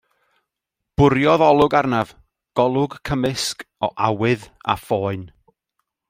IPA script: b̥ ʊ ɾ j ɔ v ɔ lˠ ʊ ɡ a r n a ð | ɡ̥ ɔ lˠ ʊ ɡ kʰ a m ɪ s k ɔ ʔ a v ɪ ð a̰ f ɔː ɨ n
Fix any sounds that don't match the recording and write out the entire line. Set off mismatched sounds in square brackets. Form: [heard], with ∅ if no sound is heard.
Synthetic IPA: b̥ ʊ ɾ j ɔ [ð] ɔ lˠ ʊ ɡ a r n a [v] | ɡ̥ ɔ lˠ ʊ ɡ kʰ [ə] m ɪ s k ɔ ʔ a [w] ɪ ð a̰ f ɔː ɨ n